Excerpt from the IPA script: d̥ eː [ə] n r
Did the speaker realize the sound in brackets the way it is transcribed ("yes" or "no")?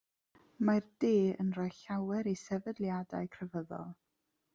yes